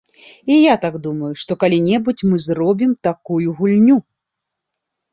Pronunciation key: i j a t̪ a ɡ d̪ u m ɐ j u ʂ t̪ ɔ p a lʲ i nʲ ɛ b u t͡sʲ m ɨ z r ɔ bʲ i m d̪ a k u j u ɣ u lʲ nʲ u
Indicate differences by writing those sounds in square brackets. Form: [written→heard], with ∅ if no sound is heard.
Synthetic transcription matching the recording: i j a t̪ a ɡ d̪ u m ɐ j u ʂ t̪ ɔ [p→k] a lʲ i nʲ ɛ b u t͡sʲ m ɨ z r ɔ bʲ i m [d̪→t̪] a k u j u ɣ u lʲ nʲ u